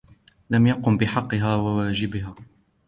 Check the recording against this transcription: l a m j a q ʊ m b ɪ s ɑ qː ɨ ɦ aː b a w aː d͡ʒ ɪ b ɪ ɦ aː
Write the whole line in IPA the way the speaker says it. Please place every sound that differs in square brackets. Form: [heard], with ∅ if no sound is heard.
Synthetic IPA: l a m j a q ʊ m b ɪ [ħ] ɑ qː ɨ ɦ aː [w] a w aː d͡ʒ ɪ b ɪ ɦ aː